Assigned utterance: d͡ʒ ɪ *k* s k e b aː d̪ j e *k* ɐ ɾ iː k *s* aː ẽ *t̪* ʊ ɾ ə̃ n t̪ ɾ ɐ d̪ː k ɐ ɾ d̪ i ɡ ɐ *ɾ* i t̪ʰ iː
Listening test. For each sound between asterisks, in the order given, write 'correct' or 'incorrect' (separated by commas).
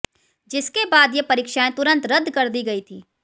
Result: incorrect, incorrect, incorrect, correct, incorrect